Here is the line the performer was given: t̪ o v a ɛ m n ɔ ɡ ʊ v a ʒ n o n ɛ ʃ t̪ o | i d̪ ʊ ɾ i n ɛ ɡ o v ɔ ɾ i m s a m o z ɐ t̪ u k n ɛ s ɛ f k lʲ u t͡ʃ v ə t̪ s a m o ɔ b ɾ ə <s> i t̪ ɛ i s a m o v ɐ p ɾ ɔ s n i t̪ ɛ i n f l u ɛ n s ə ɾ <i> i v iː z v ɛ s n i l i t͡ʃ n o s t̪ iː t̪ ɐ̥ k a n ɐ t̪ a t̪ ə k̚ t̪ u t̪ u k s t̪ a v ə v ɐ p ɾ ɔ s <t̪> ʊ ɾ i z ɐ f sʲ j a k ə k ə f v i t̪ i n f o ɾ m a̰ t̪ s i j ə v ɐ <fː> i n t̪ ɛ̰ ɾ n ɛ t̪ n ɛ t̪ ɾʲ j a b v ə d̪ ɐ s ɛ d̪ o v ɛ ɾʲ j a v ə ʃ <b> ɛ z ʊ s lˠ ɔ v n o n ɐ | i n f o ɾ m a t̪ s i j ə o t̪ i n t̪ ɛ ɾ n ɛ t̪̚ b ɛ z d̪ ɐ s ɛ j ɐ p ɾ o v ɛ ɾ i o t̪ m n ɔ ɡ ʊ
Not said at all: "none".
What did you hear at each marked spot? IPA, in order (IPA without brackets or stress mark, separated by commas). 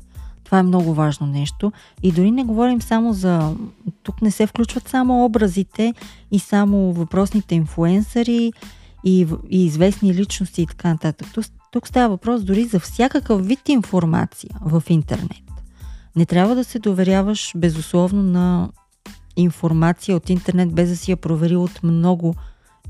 z, i, d̪, f, b